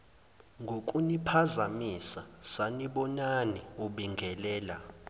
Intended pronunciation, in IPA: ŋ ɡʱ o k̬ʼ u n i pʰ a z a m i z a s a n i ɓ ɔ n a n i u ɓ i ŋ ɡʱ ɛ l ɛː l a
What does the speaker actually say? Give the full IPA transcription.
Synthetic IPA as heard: ŋ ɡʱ o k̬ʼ u n i pʰ a z a m i s a s a n i ɓ ɔ n a n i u ɓ i ŋ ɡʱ ɛ l ɛː l a